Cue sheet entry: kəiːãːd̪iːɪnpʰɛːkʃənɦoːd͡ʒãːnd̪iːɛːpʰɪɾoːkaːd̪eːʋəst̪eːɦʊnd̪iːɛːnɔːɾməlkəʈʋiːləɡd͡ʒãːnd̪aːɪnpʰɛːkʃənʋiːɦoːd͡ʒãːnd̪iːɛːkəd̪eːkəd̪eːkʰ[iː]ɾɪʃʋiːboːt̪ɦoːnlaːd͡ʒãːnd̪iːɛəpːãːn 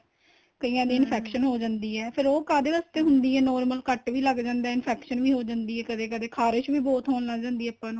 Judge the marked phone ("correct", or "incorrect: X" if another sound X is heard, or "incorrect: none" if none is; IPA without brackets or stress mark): incorrect: aː